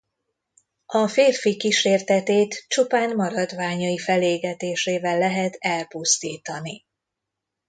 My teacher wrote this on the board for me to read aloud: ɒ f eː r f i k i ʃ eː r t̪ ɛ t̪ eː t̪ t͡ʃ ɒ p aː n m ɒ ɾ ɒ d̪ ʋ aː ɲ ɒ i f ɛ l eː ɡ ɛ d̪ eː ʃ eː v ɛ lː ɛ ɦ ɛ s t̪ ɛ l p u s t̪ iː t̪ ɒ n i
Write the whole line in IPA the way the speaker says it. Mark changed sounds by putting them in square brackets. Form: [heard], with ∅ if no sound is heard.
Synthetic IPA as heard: ɒ f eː r f i k i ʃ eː r t̪ ɛ t̪ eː t̪ t͡ʃ [u] p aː n m ɒ ɾ ɒ d̪ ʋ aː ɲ ɒ i f ɛ l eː ɡ ɛ [t̪] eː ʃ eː v ɛ lː ɛ ɦ ɛ [∅] t̪ ɛ l p u s t̪ iː t̪ ɒ n i